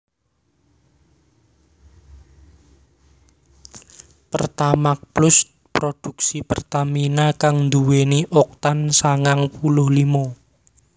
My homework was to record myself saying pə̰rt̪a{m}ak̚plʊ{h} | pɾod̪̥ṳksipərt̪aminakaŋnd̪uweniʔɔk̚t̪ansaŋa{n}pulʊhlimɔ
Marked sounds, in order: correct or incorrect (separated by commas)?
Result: correct, incorrect, incorrect